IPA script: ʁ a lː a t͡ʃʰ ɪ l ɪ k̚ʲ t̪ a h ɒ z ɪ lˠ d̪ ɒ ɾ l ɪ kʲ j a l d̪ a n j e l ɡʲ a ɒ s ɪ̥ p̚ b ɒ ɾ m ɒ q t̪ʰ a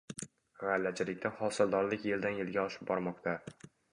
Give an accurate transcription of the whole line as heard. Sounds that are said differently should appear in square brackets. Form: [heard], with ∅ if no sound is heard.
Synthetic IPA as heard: ʁ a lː a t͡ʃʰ ɪ l ɪ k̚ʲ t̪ a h ɒ [s] ɪ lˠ d̪ ɒ ɾ l ɪ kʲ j [e] l d̪ a n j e l ɡʲ a ɒ [ʃ] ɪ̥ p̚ b ɒ ɾ m ɒ q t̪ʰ a

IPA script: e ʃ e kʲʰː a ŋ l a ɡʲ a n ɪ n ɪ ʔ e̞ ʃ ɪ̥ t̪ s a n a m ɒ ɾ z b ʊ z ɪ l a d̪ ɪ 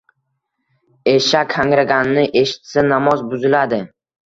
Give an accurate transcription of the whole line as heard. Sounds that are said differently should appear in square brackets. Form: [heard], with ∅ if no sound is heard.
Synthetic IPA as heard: e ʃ [a] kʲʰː a ŋ [ɾ] a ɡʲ a n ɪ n ɪ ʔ e̞ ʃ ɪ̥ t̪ s a n a m ɒ [∅] z b ʊ z ɪ l a d̪ ɪ

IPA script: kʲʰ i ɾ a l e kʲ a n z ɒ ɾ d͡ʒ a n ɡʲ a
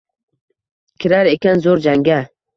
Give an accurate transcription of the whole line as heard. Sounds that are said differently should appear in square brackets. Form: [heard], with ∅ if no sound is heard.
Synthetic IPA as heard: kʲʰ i ɾ a [ɾ] e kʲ a n z [o] ɾ d͡ʒ a [ŋ] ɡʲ a

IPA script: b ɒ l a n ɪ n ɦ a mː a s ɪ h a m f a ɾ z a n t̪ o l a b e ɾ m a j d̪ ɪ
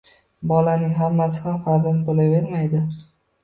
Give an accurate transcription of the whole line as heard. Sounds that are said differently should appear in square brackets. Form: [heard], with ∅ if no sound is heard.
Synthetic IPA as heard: b ɒ l a n ɪ [ŋ] ɦ a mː a s ɪ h a m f a ɾ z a n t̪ o l a [v] e ɾ m a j d̪ ɪ

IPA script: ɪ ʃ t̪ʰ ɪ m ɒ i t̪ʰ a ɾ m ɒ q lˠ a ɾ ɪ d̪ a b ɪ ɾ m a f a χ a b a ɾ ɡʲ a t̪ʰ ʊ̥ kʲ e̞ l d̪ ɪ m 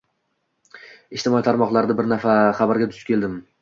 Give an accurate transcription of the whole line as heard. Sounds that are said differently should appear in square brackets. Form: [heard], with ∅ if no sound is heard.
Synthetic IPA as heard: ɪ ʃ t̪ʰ ɪ m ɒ i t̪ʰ a ɾ m ɒ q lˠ a ɾ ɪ d̪ a b ɪ ɾ [n] a f a χ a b a ɾ ɡʲ a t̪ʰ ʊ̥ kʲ e̞ l d̪ ɪ m

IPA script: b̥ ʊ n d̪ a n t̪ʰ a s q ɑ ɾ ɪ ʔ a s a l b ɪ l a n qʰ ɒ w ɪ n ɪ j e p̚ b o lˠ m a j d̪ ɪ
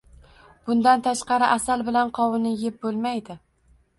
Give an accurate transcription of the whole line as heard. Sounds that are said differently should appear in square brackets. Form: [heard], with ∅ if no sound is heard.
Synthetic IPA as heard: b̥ ʊ n d̪ a n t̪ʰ a [ʃ] q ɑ ɾ ɪ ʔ a s a l b ɪ l a n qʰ ɒ w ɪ n ɪ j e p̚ b o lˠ m a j d̪ ɪ

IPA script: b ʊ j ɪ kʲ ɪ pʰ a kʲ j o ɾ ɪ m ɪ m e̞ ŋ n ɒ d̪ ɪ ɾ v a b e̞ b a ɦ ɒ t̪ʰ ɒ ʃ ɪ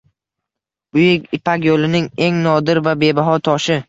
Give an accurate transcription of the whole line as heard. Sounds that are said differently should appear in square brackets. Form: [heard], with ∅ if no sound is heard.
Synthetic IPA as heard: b ʊ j ɪ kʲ ɪ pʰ a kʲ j o [l] ɪ [n] ɪ [ŋ] e̞ ŋ n ɒ d̪ ɪ ɾ v a b e̞ b a ɦ ɒ t̪ʰ ɒ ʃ ɪ

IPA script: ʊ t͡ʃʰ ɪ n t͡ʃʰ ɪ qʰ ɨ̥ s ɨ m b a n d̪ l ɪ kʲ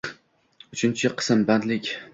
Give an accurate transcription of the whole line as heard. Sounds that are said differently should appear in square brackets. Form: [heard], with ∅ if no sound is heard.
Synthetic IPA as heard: ʊ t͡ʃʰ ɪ n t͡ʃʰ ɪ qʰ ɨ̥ s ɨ m b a n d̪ l ɪ kʲ

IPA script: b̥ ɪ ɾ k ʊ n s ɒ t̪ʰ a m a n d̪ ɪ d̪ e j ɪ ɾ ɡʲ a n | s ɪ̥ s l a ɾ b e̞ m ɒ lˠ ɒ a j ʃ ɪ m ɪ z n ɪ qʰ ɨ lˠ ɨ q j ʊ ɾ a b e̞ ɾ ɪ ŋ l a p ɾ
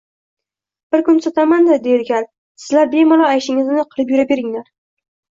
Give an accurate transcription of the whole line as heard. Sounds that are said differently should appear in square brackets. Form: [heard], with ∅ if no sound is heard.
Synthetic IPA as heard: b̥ ɪ ɾ k ʊ n s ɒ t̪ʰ a m a n d̪ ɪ d̪ e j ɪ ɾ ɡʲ a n | s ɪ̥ [z] l a ɾ b e̞ m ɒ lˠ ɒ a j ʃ ɪ [ŋ] ɪ z n ɪ qʰ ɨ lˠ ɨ [p] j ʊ ɾ a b e̞ ɾ ɪ ŋ l a [∅] ɾ

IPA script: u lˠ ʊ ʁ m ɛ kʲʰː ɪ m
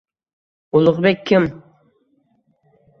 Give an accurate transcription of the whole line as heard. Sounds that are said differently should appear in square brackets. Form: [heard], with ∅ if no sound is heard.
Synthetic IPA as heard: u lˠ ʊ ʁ [b] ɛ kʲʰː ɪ m

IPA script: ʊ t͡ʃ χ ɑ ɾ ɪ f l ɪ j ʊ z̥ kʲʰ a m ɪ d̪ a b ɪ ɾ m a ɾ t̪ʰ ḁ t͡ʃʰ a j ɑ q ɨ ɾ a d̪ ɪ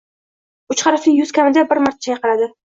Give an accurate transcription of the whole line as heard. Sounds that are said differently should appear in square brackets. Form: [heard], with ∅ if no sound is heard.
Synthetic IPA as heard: ʊ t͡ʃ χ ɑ ɾ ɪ f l ɪ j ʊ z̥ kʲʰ a m ɪ d̪ a b ɪ ɾ m a ɾ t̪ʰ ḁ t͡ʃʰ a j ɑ q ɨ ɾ a d̪ ɪ

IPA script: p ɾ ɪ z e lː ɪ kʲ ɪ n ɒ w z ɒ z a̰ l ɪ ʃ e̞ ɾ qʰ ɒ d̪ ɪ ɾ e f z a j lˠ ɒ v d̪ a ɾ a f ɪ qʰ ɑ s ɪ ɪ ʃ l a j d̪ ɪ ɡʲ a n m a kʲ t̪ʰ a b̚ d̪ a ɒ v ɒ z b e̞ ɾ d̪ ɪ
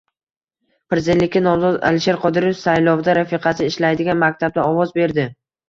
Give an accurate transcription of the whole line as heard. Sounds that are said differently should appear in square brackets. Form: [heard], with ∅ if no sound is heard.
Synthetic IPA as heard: p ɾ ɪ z e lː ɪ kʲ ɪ n ɒ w z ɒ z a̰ l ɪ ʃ e̞ ɾ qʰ ɒ d̪ ɪ ɾ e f [s] a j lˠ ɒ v d̪ a ɾ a f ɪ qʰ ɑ s ɪ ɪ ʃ l a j d̪ ɪ ɡʲ a n m a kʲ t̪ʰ a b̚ d̪ a ɒ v ɒ z b e̞ ɾ d̪ ɪ

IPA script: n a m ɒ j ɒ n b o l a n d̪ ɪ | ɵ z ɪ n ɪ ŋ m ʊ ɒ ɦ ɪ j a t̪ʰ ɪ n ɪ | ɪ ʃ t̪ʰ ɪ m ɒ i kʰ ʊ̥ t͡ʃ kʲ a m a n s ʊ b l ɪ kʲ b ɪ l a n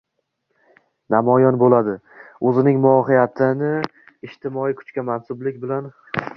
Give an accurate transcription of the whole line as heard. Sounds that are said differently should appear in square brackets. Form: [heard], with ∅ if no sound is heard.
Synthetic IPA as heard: n a m ɒ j ɒ n b o l a [∅] d̪ ɪ | ɵ z ɪ n ɪ ŋ m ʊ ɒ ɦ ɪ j a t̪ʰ ɪ n ɪ | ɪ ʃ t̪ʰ ɪ m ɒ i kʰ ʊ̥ t͡ʃ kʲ a m a n s ʊ b l ɪ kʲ b ɪ l a n

